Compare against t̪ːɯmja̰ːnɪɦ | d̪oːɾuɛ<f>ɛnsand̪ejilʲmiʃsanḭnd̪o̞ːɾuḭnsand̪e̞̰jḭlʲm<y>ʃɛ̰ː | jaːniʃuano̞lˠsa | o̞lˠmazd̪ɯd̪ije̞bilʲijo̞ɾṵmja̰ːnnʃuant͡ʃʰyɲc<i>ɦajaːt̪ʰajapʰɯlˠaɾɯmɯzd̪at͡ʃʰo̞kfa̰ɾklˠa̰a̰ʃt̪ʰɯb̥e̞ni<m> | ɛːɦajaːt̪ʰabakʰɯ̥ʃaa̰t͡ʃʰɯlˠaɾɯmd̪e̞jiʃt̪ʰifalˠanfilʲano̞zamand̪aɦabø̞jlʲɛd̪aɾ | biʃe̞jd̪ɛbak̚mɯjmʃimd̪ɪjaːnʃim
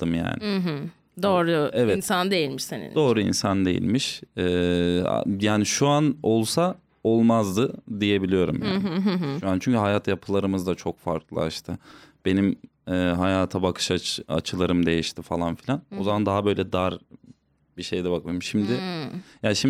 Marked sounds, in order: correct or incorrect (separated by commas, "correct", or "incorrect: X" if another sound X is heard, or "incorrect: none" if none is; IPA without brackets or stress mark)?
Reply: incorrect: v, incorrect: i, incorrect: y, correct